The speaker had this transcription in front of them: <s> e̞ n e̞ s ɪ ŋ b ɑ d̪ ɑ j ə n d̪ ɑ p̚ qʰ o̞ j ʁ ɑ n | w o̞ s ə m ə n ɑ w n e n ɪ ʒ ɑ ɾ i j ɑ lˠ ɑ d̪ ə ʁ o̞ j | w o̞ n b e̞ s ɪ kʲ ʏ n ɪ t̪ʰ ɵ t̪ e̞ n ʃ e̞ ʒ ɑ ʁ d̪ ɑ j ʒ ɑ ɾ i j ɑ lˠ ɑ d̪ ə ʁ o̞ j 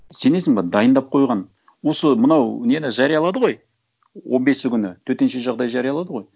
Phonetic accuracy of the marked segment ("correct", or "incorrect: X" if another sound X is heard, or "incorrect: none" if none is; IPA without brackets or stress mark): correct